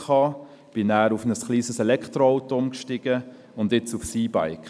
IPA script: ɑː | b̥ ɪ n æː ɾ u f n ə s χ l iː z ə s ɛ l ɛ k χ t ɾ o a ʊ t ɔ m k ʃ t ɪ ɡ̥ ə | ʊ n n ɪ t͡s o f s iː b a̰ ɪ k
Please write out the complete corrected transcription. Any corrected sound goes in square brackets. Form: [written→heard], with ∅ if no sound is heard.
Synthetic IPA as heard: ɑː | b̥ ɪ n æː ɾ u f n ə s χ l iː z ə s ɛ l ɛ k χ t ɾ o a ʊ t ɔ m k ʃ t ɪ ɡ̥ ə | ʊ n [n→d] ɪ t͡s [o→u] f s iː b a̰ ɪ k

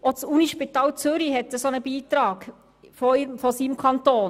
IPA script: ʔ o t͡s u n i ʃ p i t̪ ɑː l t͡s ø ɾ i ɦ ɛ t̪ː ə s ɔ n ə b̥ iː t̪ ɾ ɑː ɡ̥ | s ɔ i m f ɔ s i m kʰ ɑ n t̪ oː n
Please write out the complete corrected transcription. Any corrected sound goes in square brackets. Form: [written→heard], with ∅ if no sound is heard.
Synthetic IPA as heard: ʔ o t͡s u n i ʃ p i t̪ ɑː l t͡s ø ɾ i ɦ ɛ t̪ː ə s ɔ n ə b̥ iː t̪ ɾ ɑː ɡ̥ | [s→f] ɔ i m f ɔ s i m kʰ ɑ n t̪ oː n

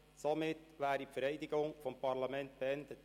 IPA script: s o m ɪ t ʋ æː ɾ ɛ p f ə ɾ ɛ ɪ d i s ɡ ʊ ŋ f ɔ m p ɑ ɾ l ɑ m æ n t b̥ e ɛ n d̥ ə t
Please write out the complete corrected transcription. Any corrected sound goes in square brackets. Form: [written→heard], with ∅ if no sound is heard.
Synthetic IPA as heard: s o m ɪ t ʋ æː ɾ [ɛ→i] p f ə ɾ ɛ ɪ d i [s→∅] ɡ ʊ ŋ f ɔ m p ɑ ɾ l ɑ m [æ→ɛ] n t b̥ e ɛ n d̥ ə t

